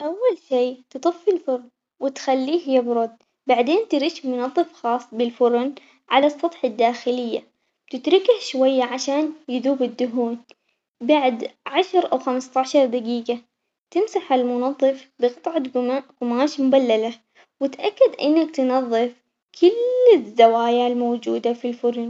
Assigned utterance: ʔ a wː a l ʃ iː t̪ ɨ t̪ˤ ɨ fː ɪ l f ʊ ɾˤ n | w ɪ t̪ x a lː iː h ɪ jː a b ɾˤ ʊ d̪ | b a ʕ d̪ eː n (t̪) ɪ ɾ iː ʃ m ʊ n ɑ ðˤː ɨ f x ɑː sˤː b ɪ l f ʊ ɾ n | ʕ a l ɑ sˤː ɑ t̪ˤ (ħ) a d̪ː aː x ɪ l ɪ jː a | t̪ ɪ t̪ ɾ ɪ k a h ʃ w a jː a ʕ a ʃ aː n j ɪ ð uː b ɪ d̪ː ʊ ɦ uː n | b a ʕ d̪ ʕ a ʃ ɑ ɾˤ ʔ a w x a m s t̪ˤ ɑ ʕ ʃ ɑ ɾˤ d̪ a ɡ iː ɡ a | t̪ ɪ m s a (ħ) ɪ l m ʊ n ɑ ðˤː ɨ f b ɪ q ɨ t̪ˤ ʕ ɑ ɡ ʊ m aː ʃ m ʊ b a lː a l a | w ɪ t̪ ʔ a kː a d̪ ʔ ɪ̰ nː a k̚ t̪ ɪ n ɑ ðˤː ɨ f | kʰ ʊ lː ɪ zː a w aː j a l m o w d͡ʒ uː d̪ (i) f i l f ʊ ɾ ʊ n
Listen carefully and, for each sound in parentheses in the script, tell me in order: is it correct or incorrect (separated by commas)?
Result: correct, correct, correct, incorrect